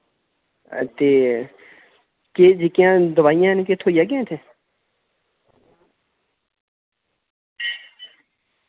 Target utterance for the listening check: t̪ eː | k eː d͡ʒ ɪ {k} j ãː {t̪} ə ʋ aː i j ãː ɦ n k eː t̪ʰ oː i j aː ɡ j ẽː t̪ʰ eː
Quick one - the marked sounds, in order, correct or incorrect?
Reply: correct, incorrect

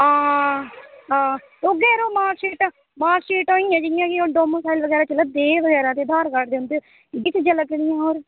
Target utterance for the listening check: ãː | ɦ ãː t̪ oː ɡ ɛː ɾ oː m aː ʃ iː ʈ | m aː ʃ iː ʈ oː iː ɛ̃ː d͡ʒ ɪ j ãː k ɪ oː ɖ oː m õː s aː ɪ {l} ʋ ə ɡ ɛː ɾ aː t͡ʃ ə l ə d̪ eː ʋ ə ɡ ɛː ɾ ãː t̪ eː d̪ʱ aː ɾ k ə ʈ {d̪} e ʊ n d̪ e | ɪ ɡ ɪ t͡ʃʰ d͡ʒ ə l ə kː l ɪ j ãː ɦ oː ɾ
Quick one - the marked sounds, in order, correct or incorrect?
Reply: correct, correct

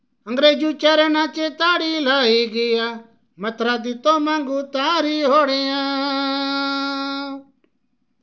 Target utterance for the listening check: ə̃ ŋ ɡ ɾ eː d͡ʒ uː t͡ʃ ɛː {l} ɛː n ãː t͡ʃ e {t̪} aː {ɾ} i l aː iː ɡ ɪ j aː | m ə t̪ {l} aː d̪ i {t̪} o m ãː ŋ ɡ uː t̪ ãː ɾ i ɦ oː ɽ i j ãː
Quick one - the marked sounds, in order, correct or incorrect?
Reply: incorrect, correct, incorrect, incorrect, correct

